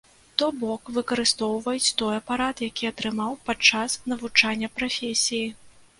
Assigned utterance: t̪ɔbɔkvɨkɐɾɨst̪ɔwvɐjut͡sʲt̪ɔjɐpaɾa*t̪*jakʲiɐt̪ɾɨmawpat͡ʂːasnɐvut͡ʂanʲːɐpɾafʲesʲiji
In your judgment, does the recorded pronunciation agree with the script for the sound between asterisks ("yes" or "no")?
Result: yes